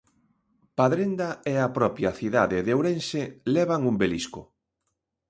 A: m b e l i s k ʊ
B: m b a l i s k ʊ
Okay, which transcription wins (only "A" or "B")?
A